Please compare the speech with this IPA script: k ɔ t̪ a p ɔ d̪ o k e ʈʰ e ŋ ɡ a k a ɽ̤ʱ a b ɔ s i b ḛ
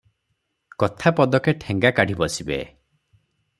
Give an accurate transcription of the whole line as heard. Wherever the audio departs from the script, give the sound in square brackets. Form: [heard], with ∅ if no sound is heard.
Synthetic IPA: k ɔ [t̪ʰ] a p ɔ d̪ [ɔ] k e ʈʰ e ŋ ɡ a k a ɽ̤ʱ [i] b ɔ s i b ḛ